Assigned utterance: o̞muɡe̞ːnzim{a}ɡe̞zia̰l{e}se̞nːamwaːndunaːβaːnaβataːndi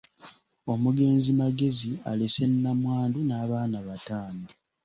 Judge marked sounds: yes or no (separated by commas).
yes, yes